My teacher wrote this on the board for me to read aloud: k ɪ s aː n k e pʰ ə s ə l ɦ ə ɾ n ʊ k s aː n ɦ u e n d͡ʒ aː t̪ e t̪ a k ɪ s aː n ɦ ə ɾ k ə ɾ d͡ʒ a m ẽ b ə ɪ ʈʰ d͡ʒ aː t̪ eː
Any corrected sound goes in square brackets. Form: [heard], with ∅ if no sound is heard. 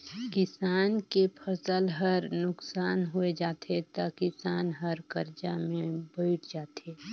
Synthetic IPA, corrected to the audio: k ɪ s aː n k e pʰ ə s ə l ɦ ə ɾ n ʊ k s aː n ɦ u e [∅] d͡ʒ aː t̪ e t̪ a k ɪ s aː n ɦ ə ɾ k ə ɾ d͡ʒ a m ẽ b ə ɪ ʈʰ d͡ʒ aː t̪ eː